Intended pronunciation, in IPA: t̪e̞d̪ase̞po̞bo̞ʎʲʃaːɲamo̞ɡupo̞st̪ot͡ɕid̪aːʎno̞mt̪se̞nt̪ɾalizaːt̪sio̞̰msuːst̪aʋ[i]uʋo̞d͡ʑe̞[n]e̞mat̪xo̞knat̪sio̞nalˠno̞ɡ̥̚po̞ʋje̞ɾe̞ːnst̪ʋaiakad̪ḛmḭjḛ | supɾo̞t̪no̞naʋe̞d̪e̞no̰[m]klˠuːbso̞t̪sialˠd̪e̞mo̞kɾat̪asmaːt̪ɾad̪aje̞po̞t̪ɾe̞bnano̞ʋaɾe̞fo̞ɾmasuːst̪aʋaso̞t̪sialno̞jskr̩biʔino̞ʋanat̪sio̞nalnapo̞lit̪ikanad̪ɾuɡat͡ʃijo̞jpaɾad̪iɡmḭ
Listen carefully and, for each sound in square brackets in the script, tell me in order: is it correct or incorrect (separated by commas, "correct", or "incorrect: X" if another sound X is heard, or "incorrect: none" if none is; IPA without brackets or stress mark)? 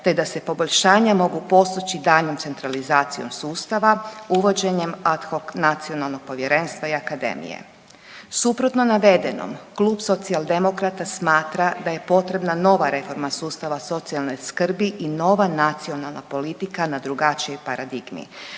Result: incorrect: a, incorrect: ɲ, correct